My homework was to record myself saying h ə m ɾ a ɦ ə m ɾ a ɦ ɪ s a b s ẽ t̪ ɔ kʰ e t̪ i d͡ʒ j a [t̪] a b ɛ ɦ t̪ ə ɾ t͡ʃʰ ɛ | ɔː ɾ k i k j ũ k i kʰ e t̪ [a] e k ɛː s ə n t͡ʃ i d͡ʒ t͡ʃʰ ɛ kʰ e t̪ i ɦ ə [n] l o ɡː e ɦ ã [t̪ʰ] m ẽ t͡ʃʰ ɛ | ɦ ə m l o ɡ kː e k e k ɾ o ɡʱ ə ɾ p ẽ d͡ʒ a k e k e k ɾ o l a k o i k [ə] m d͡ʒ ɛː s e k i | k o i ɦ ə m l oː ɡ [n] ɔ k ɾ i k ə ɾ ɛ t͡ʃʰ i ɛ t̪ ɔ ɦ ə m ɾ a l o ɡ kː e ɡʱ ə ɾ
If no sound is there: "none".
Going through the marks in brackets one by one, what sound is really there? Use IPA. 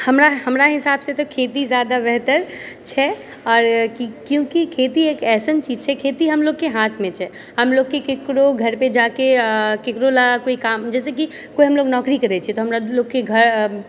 d̪, i, m, t̪ʰ, a, n

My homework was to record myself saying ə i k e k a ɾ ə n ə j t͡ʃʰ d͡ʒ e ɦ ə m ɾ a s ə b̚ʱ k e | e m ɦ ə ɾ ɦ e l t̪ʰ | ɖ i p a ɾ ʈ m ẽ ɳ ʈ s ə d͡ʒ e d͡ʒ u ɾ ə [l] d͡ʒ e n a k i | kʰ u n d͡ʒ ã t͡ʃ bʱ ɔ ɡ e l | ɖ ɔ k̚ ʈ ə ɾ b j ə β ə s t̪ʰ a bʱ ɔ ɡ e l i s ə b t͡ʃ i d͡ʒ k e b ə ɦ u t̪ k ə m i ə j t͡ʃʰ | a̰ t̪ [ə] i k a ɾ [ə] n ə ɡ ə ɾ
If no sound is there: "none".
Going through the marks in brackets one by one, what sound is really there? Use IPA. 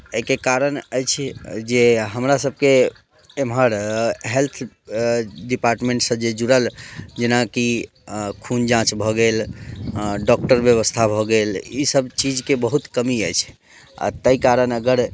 l, ə, ə

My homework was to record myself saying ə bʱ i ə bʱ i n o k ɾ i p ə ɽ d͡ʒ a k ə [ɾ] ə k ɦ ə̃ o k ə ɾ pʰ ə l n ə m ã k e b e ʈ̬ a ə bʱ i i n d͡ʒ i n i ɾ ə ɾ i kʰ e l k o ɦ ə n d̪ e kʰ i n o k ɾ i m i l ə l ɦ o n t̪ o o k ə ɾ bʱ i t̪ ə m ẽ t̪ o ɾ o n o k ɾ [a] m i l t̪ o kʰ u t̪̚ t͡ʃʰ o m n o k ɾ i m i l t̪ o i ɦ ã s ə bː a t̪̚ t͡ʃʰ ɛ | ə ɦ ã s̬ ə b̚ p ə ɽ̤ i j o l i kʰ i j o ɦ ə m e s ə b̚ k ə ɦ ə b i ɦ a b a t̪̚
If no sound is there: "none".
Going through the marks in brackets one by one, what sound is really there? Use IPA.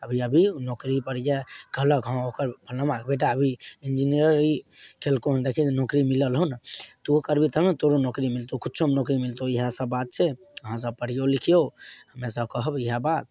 l, i

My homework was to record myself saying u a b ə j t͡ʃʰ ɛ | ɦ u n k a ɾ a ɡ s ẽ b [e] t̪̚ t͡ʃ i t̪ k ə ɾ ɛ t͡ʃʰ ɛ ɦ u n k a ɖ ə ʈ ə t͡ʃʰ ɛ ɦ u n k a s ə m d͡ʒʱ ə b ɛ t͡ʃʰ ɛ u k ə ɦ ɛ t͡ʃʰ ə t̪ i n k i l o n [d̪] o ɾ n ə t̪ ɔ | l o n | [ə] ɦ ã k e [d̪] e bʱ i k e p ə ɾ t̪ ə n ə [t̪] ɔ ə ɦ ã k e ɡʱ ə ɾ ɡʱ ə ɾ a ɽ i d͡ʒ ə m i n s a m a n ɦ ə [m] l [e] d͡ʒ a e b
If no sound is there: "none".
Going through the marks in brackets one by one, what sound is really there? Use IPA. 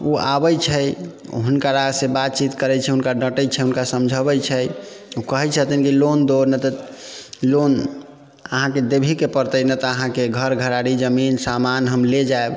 a, d̪, ə, d̪, t̪, m, e

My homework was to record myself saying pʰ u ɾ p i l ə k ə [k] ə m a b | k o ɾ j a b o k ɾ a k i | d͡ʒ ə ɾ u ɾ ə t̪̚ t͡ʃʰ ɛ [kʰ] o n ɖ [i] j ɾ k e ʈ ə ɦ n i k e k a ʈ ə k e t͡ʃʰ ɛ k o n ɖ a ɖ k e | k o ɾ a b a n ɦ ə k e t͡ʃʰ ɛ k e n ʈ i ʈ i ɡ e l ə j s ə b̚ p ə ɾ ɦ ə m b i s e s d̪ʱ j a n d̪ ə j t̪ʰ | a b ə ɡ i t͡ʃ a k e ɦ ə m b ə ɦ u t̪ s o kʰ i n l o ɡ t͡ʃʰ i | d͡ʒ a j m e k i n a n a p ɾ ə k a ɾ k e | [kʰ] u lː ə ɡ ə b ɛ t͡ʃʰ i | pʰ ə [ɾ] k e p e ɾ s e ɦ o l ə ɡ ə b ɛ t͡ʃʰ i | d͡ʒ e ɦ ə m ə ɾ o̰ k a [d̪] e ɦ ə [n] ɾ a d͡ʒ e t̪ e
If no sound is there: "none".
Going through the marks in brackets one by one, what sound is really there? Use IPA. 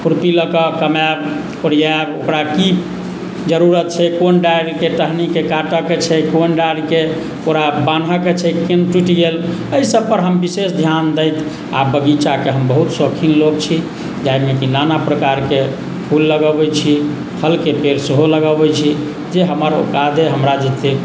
k, k, a, pʰ, l, d̪, m

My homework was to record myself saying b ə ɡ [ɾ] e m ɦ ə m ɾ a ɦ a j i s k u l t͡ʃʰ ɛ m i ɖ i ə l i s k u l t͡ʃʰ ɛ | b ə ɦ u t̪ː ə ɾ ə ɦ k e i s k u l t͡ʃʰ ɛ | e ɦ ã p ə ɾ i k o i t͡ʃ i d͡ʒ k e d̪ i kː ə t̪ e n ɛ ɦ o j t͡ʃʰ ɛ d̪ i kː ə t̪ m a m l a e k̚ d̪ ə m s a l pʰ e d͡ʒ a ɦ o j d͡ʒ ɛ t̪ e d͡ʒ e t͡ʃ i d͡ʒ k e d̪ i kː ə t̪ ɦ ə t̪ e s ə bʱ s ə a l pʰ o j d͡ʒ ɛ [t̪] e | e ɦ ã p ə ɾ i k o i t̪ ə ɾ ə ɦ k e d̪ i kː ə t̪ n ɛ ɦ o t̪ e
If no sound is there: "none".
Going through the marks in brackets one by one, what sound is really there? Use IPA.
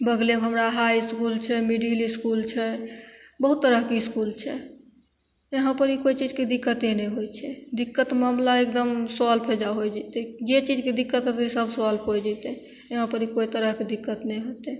l, t̪

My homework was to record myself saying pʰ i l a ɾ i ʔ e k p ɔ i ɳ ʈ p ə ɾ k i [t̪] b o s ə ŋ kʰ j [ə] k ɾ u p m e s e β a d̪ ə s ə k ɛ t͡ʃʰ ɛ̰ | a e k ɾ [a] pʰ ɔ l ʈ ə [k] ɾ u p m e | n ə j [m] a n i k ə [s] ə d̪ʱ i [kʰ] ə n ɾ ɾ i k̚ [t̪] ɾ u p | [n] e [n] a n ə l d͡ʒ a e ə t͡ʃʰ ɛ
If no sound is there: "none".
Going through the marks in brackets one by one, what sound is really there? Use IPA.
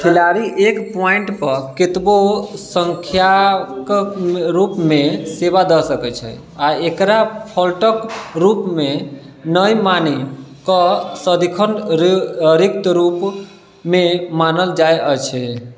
t̪, a, a, k, m, s, kʰ, t̪, m, m

